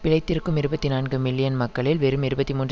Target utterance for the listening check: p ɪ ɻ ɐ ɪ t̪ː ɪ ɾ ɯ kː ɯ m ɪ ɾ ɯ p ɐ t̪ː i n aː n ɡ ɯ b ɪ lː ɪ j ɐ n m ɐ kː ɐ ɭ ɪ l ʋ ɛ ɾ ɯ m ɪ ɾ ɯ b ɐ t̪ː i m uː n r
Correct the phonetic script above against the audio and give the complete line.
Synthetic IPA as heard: p ɪ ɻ ɐ ɪ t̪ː ɪ ɾ ɯ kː ɯ m ɪ ɾ ɯ b ɐ t̪ː i n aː n ɡ ɯ m ɪ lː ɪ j ɐ n m ɐ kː ɐ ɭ ɪ l ʋ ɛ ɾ ɯ m ɪ ɾ ɯ b ɐ t̪ː i m uː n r

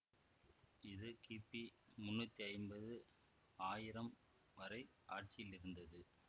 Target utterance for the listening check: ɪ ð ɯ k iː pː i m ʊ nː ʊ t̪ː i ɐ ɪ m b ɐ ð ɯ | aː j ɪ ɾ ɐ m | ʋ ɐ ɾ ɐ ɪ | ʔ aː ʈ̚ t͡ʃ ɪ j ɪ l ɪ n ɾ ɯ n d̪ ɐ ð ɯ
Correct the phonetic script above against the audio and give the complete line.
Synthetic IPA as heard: ɪ ð ɯ k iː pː i m ʊ nː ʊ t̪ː i ɐ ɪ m b ɐ ð ɯ | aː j ɪ ɾ ɐ m | ʋ ɐ ɾ ɐ ɪ | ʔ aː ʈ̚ t͡ʃ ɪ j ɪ l ɪ ɾ ɯ n d̪ ɐ ð ɯ

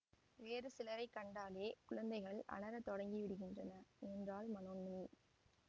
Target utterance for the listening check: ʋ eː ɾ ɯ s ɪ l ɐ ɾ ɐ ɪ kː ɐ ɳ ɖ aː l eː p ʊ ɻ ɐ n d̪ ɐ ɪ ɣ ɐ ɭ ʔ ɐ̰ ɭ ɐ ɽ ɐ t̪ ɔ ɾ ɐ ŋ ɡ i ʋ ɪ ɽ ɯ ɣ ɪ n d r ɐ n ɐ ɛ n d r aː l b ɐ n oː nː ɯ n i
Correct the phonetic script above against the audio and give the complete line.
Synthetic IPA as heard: ʋ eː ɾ ɯ s ɪ l ɐ ɾ ɐ ɪ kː ɐ ɳ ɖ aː l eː k ʊ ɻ ɐ n d̪ ɐ ɪ ɣ ɐ ɭ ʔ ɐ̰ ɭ ɐ ɾ ɐ t̪ ɔ ɽ ɐ ŋ ɡ i ʋ ɪ ɽ ɯ ɣ ɪ n d r ɐ n ɐ ɛ n d r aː l m ɐ n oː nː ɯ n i

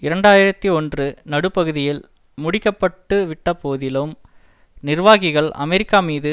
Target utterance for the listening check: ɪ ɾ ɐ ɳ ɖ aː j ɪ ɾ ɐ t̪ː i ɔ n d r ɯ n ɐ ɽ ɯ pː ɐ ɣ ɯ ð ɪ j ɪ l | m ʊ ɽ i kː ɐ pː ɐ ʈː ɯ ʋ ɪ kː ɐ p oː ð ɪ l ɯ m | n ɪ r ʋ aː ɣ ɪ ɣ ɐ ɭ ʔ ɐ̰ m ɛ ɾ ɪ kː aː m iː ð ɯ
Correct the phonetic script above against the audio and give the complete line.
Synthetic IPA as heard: ɪ ɾ ɐ ɳ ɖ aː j ɪ ɾ ɐ t̪ː i ɔ n d r ɯ n ɐ ɽ ɯ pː ɐ ɣ ɯ ð ɪ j ɪ l | m ʊ ɽ ɪ kː ɐ pː ɐ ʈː ɯ ʋ ɪ ʈː ɐ p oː ð ɪ l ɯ m | n ɪ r ʋ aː ɣ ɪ ɣ ɐ ɭ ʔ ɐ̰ m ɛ ɾ ɪ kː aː m iː ð ɯ

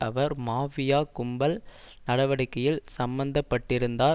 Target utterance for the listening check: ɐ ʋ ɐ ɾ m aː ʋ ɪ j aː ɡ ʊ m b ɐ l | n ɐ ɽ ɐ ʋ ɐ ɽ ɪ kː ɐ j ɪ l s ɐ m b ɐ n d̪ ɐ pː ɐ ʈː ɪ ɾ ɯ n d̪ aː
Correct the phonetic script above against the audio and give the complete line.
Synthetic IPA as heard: ɐ ʋ ɐ ɾ m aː ʋ ɪ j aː k ʊ m b ɐ l | n ɐ ɽ ɐ ʋ ɐ ɽ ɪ kː ɐ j ɪ l s ɐ m b ɐ n d̪ ɐ pː ɐ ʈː ɪ ɾ ɯ n d̪ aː

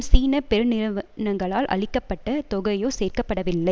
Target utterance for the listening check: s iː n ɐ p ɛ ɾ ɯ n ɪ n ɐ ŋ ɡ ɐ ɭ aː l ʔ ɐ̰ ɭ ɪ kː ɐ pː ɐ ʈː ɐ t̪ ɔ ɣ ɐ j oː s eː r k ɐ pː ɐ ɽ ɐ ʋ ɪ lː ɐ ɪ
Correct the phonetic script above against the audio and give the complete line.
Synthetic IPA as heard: s iː n ɐ p ɛ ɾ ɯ n ɪ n ɐ ŋ ɡ ɐ ɭ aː l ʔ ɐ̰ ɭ ɪ kː ɐ pː ɐ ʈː ɐ t̪ ɔ ɣ ɐ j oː s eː r k ɐ pː ɐ ɽ ɐ ʋ ɪ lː ɐ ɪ

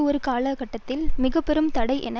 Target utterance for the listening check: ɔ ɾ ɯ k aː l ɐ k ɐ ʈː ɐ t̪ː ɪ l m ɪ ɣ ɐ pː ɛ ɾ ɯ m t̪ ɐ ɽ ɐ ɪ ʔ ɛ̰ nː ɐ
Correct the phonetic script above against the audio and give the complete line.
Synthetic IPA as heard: ɔ ɾ ɯ k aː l ɐ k ɐ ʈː ɐ t̪ː ɪ l m ɪ ɣ ɐ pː ɛ ɾ ɯ m t̪ ɐ ɽ ɐ ɪ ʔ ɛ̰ n ɐ

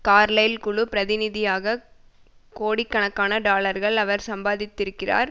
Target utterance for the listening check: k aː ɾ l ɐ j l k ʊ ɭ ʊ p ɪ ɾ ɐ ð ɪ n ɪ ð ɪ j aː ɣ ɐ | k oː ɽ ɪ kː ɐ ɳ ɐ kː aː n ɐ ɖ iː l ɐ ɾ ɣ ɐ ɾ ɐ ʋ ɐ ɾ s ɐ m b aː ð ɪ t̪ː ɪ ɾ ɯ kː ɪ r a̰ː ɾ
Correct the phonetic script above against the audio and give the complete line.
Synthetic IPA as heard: k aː ɾ l ɐ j l k ʊ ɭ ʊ p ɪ ɾ ɐ ð ɪ n ɪ ð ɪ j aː ɣ ɐ | k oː ɽ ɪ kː ɐ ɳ ɐ kː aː n ɐ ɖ aː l ɐ ɾ ɣ ɐ ɭ ɐ ʋ ɐ ɾ s ɐ m b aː ð ɪ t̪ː ɪ ɾ ɯ kː ɪ r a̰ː ɾ

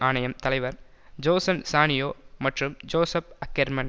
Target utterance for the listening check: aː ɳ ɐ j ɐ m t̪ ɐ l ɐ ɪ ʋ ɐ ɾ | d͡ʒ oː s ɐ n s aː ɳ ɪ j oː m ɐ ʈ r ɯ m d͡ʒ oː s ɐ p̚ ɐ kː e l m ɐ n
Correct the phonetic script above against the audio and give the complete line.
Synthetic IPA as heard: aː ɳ ɐ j ɐ m t̪ ɐ l ɐ ɪ ʋ ɐ ɾ | d͡ʒ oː s ɐ n s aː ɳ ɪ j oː m ɐ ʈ r ɯ m d͡ʒ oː s ɐ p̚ ɐ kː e ɾ m ɐ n

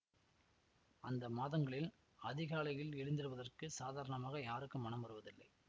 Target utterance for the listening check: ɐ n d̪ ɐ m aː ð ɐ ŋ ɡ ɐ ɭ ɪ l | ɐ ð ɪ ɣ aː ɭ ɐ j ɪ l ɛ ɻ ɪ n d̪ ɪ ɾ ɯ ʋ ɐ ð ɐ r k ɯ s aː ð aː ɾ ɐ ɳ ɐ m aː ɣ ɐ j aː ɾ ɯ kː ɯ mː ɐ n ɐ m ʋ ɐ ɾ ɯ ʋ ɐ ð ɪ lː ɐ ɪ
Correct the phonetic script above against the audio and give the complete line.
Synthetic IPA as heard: ɐ n d̪ ɐ m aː ð ɐ ŋ ɡ ɐ ɭ ɪ l | ɐ ð ɪ ɣ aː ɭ ɐ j ɪ l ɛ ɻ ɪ n d̪ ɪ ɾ ɯ ʋ ɐ ð ɐ r k ɯ s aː ð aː ɾ ɐ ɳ ɐ m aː ɣ ɐ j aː ɾ ɯ kː ɯ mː ɐ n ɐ m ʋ ɐ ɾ ɯ ʋ ɐ ð ɪ lː ɐ ɪ

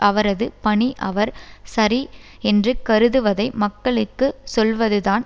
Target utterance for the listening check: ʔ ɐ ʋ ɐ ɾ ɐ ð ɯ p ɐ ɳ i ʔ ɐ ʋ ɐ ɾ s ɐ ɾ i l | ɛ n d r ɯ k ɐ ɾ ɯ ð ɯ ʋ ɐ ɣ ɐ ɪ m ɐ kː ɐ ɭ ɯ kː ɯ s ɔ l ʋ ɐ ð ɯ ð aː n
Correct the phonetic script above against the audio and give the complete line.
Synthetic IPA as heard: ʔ ɐ ʋ ɐ ɾ ɐ ð ɯ p ɐ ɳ i ʔ ɐ ʋ ɐ ɾ s ɐ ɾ i | ɛ n d r ɯ k ɐ ɾ ɯ ð ɯ ʋ ɐ ð ɐ ɪ m ɐ kː ɐ ɭ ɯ kː ɯ s ɔ l ʋ ɐ ð ɯ ð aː n

